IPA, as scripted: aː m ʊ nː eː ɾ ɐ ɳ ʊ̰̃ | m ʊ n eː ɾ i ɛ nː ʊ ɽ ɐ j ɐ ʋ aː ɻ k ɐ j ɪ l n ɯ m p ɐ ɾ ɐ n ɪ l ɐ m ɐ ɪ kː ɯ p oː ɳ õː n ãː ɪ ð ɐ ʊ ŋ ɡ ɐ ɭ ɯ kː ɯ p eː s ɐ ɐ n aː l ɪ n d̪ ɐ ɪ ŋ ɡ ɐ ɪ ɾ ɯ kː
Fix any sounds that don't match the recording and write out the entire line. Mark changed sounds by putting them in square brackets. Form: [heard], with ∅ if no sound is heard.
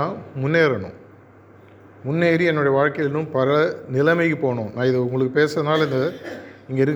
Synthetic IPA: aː m ʊ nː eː ɾ ɐ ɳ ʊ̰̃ | m ʊ [nː] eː ɾ i ɛ nː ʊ ɽ ɐ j ɐ ʋ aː ɻ k ɐ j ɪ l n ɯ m p ɐ ɾ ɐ n ɪ l ɐ m ɐ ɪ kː ɯ p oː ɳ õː n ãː ɪ ð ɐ ʊ ŋ ɡ ɐ ɭ ɯ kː ɯ p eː s ɐ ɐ n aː l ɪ n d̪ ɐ ɪ ŋ ɡ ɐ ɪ ɾ ɯ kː